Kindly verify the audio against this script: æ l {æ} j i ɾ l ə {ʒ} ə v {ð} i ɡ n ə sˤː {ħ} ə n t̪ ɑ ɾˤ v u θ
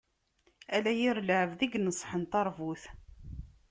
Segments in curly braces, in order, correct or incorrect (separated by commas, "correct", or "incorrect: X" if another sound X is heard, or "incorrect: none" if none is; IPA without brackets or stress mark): correct, incorrect: ʕ, correct, correct